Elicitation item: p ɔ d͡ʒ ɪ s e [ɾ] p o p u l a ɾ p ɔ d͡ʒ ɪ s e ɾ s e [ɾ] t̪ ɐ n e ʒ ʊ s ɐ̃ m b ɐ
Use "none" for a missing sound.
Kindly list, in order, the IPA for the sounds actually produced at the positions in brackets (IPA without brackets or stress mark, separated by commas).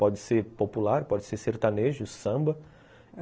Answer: ɾ, ɾ